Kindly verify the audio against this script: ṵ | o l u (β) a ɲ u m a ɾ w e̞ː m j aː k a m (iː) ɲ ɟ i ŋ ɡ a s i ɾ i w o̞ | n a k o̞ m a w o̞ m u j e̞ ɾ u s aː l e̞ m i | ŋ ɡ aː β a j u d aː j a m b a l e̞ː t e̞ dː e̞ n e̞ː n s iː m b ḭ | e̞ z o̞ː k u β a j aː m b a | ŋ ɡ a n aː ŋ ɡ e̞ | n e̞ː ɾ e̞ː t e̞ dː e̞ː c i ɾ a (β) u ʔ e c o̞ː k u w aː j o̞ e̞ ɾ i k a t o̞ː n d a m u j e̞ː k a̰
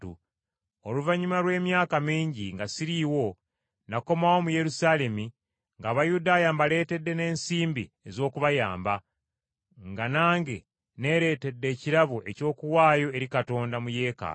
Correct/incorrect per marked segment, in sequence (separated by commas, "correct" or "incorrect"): incorrect, correct, correct